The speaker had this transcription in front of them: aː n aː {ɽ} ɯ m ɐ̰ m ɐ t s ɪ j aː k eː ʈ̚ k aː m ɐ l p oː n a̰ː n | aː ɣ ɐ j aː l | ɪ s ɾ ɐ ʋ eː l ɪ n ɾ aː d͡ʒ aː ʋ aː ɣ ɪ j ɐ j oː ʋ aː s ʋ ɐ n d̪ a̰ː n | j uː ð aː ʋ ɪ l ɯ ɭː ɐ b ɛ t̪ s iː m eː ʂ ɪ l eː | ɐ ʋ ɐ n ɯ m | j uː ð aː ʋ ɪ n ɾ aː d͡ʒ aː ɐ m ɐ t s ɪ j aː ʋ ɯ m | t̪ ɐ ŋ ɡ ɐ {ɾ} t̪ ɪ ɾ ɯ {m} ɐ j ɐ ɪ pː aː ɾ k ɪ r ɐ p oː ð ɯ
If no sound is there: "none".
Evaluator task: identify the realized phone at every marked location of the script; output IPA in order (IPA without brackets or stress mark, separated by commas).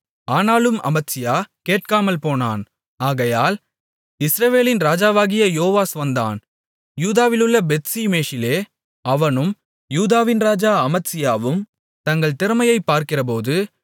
l, ɭ, m